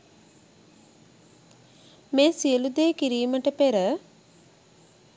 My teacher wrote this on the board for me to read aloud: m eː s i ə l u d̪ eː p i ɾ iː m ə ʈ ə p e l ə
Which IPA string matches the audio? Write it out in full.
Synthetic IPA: m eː s i ə l u d̪ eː k i ɾ iː m ə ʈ ə p e ɾ ə